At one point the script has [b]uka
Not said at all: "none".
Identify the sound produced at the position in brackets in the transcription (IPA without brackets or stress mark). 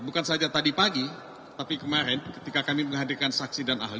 b